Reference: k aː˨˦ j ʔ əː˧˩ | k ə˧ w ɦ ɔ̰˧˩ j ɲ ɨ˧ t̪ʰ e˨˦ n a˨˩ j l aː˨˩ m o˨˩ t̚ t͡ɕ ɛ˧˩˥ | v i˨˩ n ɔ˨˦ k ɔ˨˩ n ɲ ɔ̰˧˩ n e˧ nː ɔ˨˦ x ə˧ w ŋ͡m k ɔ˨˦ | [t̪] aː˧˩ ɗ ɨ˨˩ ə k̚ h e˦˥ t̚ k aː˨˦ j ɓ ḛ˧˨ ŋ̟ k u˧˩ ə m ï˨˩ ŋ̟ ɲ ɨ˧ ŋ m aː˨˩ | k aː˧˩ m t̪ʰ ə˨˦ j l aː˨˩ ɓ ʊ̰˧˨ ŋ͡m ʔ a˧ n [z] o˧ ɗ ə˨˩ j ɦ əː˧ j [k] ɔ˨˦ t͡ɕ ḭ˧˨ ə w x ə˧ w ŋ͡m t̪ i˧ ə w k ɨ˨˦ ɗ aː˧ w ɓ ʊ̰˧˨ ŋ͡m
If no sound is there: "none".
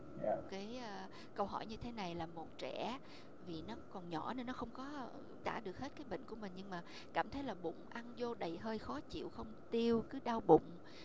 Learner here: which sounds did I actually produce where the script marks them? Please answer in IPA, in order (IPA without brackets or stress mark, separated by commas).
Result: t̪, z, x